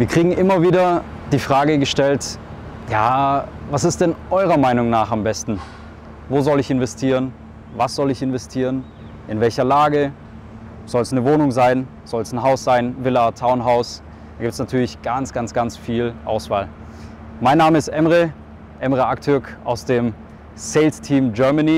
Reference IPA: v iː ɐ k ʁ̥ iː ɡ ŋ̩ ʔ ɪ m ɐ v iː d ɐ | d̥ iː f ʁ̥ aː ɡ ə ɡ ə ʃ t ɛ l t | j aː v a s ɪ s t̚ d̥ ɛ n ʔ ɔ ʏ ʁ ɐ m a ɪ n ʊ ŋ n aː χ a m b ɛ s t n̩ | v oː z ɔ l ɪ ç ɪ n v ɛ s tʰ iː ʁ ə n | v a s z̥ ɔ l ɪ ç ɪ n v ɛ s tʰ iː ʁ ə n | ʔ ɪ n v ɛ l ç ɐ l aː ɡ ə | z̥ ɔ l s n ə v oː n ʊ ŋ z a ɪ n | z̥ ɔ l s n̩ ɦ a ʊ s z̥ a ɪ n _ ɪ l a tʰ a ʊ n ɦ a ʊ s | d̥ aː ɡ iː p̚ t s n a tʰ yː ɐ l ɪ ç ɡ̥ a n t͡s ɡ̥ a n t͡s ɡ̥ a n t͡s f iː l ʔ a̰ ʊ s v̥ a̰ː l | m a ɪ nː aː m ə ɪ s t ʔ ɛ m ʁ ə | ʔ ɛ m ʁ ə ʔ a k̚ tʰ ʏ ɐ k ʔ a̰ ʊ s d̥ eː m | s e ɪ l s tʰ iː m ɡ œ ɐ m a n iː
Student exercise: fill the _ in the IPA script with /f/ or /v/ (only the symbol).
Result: v